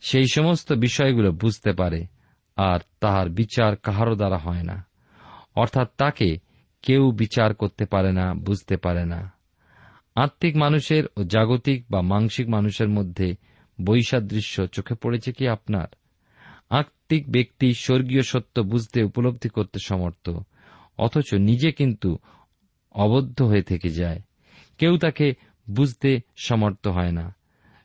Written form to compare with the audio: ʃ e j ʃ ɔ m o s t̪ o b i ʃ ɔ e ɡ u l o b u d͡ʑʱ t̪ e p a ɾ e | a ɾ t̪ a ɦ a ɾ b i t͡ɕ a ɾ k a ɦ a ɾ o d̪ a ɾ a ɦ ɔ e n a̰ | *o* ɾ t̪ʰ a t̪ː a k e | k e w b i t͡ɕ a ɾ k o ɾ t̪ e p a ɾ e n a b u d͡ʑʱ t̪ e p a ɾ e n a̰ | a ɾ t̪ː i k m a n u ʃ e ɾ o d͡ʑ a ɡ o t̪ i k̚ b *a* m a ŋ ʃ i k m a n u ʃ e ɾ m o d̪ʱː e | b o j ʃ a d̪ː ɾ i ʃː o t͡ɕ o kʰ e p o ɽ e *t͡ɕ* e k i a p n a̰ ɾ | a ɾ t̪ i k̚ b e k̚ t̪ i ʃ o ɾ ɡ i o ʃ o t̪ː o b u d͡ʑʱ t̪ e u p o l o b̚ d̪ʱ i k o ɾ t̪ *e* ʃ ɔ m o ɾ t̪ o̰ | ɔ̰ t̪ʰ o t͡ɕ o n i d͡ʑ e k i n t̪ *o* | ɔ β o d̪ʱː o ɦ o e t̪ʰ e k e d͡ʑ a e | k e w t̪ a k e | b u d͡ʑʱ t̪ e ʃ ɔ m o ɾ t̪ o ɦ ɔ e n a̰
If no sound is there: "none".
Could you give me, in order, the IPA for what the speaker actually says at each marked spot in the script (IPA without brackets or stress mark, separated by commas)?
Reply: ɔ, a, t͡ɕʰ, e, u